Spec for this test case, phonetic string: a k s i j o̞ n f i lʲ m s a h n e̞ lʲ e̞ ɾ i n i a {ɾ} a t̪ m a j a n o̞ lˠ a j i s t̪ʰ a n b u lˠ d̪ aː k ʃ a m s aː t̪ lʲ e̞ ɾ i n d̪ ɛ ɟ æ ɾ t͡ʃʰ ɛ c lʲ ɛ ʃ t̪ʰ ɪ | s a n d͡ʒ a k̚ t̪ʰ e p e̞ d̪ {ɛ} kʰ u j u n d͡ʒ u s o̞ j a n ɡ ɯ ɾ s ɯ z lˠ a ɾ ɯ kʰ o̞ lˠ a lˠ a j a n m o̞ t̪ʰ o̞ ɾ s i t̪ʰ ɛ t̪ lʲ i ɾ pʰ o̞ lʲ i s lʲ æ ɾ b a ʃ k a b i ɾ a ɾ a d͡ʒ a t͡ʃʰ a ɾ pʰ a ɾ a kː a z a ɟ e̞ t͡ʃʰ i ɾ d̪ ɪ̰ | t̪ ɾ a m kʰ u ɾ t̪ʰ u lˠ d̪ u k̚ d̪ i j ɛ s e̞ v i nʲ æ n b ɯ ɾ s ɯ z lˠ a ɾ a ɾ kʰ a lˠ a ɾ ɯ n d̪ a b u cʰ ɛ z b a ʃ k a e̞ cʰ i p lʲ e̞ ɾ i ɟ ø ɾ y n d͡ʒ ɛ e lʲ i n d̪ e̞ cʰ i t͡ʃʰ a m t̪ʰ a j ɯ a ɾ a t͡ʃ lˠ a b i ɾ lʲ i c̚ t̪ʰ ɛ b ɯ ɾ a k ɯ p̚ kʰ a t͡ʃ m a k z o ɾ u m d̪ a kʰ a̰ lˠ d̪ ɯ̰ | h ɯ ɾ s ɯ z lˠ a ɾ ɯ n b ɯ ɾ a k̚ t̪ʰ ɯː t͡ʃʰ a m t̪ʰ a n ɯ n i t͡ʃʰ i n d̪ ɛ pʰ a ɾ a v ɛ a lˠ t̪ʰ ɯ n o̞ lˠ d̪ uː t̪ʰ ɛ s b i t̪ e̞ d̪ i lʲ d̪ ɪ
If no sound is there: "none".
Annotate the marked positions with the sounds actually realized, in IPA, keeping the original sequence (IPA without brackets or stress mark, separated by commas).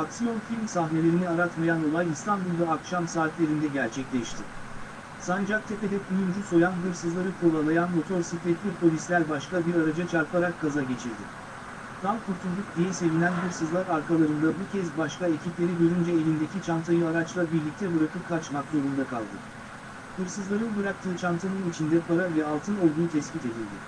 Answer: ɾ, ɛ